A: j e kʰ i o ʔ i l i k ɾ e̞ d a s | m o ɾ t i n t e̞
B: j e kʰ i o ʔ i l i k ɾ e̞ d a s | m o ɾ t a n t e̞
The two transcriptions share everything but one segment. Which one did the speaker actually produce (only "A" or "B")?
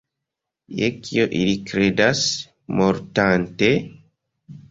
B